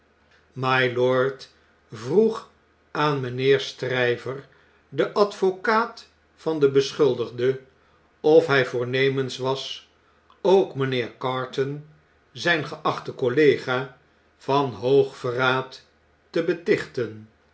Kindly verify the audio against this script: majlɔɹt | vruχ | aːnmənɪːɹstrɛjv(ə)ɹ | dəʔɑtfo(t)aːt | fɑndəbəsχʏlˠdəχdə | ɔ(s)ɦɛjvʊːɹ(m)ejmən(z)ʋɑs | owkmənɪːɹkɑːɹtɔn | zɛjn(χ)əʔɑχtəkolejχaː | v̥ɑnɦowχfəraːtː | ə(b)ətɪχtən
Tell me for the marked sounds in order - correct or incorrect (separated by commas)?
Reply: correct, incorrect, incorrect, incorrect, incorrect, correct, correct